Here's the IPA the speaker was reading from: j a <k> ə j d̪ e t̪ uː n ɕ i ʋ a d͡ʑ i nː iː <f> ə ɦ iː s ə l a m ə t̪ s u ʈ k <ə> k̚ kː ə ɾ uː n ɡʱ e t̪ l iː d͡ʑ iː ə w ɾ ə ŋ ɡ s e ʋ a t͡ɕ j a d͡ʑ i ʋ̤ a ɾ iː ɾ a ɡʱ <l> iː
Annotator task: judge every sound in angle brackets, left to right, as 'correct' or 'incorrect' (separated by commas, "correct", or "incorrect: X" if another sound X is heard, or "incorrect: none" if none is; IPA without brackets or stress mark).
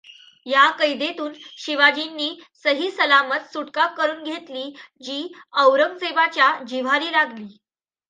correct, incorrect: s, incorrect: a, correct